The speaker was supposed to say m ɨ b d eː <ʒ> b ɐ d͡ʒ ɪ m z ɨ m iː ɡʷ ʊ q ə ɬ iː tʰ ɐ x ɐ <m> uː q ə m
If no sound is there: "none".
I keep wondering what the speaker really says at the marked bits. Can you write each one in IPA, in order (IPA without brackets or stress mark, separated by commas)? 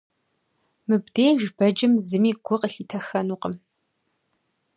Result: ʒ, n